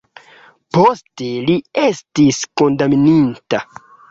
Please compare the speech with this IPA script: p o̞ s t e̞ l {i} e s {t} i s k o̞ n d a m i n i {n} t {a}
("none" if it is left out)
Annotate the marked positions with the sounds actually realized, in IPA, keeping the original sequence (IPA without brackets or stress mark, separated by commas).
i, t, n, a